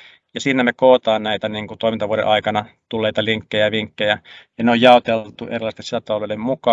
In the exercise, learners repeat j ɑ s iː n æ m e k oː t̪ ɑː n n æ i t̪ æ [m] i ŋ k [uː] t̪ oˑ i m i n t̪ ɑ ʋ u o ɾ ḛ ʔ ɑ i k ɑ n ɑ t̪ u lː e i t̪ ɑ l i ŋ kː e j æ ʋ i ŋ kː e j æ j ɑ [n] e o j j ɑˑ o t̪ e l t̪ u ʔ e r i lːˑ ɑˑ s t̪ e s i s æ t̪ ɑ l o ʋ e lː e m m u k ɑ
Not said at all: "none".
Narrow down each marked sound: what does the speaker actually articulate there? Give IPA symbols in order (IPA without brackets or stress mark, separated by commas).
n, u, n